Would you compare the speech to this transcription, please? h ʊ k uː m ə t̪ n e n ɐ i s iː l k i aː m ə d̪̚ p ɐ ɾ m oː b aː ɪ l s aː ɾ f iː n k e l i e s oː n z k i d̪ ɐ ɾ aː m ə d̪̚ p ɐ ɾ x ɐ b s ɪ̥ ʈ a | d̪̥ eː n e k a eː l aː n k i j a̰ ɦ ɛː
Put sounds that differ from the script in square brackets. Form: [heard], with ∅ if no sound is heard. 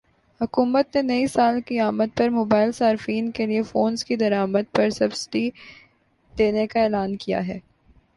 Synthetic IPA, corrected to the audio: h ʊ k uː m ə t̪ n e n ɐ i s [aː] l k i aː m ə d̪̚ p ɐ ɾ m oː b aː ɪ l s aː ɾ f iː n k e l i e [f] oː n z k i d̪ ɐ ɾ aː m ə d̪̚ p ɐ ɾ [s] ɐ b s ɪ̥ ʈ [i] | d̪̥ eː n e k a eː l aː n k i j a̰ ɦ ɛː